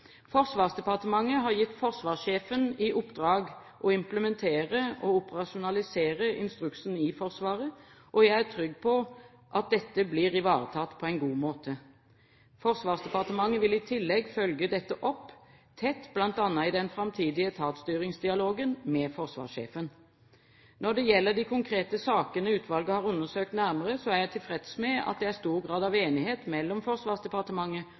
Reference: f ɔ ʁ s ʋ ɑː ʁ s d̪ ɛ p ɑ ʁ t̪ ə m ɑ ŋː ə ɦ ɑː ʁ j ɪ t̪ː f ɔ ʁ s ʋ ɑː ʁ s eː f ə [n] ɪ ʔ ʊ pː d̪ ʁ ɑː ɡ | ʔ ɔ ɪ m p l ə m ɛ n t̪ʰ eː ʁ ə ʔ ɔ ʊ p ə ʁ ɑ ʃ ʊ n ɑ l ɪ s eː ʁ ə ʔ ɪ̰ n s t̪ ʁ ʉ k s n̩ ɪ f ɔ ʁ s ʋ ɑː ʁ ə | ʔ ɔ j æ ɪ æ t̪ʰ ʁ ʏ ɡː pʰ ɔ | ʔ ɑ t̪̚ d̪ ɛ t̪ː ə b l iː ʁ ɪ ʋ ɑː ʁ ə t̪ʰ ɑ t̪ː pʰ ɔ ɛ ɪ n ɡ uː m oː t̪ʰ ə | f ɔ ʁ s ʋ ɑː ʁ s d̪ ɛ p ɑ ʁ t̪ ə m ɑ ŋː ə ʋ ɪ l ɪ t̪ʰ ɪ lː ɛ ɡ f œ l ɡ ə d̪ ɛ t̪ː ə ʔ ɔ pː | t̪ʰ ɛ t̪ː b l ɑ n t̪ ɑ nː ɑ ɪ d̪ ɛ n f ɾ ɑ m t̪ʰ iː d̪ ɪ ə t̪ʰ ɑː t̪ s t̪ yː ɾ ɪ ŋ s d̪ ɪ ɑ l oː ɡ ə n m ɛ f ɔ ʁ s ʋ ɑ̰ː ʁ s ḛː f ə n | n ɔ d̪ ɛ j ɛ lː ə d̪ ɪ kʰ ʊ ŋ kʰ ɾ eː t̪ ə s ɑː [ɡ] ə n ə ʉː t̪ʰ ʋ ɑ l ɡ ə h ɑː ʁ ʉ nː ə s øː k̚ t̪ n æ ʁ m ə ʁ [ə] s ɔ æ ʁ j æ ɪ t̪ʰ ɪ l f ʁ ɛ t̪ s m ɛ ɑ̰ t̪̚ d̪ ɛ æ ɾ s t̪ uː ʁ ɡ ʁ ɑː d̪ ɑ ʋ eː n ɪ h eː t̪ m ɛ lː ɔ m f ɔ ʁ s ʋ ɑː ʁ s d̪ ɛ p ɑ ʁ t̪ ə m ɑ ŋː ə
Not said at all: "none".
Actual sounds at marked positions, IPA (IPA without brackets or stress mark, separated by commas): n, k, ə